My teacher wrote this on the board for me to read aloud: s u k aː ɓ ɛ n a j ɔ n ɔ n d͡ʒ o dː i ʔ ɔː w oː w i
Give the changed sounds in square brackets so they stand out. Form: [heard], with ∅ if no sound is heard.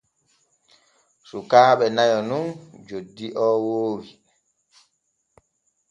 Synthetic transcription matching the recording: s u k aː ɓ ɛ n a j ɔ n [u] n d͡ʒ o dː i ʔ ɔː w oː w i